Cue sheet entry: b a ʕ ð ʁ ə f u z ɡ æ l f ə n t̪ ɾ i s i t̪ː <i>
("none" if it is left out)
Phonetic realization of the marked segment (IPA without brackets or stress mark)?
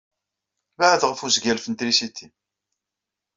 i